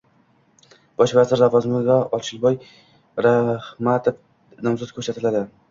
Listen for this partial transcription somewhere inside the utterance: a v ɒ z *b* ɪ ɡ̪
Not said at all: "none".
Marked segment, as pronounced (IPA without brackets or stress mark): m